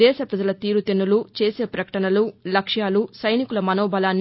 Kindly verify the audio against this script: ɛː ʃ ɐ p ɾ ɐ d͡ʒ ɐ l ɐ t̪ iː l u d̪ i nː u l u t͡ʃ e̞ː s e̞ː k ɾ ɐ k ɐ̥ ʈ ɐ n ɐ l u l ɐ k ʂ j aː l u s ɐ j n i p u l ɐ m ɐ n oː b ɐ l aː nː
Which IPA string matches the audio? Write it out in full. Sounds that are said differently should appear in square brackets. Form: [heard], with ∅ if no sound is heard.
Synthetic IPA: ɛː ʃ ɐ p ɾ ɐ d͡ʒ ɐ l ɐ t̪ iː [ɾ] u [t̪] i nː u l u t͡ʃ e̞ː s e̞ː [p] ɾ ɐ k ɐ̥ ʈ ɐ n ɐ l u l ɐ k ʂ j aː l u s ɐ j n i [k] u l ɐ m ɐ n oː b ɐ l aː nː

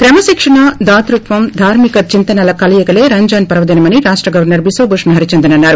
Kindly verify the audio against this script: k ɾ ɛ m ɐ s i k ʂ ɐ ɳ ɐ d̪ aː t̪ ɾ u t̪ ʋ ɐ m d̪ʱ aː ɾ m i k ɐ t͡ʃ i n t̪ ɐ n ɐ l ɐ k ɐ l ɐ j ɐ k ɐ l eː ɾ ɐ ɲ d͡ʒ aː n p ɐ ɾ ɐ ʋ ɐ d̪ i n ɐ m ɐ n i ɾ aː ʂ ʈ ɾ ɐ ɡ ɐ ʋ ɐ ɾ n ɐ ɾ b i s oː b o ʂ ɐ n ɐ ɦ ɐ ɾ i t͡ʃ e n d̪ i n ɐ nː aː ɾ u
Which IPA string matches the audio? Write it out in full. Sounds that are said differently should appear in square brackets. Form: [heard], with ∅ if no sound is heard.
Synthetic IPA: k ɾ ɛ m ɐ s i k ʂ ɐ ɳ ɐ d̪ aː t̪ ɾ u t̪ ʋ ɐ m d̪ʱ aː ɾ m i k ɐ t͡ʃ i n t̪ ɐ n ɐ l ɐ k ɐ l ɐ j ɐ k ɐ l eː ɾ ɐ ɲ d͡ʒ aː n p ɐ ɾ ɐ ʋ ɐ d̪ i n ɐ m ɐ n i ɾ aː ʂ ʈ ɾ ɐ ɡ ɐ ʋ ɐ ɾ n ɐ ɾ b i s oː b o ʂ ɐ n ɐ ɦ ɐ ɾ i t͡ʃ e n d̪ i n ɐ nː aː ɾ u

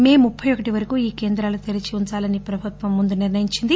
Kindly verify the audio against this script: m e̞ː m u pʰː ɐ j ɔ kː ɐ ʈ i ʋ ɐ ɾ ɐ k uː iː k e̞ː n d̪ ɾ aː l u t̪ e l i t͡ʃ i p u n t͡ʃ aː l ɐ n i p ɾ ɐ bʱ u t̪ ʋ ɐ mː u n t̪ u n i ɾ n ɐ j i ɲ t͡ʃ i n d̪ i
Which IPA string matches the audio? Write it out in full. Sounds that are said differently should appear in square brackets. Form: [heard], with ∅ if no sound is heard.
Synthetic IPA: m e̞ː m u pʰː ɐ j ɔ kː ɐ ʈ i ʋ ɐ ɾ ɐ k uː iː k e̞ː n d̪ ɾ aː l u t̪ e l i t͡ʃ i [∅] u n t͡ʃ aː l ɐ n i p ɾ ɐ bʱ u t̪ ʋ ɐ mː u n [d̪] u n i ɾ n ɐ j i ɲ t͡ʃ i n d̪ i

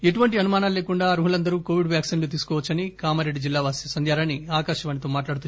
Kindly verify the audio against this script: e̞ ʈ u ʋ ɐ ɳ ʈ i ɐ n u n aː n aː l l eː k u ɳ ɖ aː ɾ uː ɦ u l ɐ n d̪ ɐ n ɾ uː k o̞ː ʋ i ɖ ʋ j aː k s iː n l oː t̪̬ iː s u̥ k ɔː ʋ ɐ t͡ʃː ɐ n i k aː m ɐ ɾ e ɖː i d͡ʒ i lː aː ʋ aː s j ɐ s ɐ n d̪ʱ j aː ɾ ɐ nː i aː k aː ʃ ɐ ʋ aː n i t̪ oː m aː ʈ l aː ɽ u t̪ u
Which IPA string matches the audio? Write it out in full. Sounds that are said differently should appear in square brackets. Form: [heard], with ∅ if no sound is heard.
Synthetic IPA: e̞ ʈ u ʋ ɐ ɳ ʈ i ɐ n u [m] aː n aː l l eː k u ɳ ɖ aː ɾ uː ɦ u l ɐ n d̪ ɐ [∅] ɾ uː k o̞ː ʋ i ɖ ʋ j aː k s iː n l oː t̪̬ iː s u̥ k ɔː ʋ ɐ t͡ʃː ɐ n i k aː m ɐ ɾ e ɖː i d͡ʒ i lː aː ʋ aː s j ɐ s ɐ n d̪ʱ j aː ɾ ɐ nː i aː k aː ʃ ɐ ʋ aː n i t̪ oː m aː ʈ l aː ɽ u t̪ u

